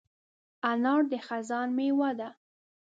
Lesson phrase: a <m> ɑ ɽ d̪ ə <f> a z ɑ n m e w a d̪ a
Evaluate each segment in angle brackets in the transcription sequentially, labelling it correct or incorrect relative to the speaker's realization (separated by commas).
incorrect, incorrect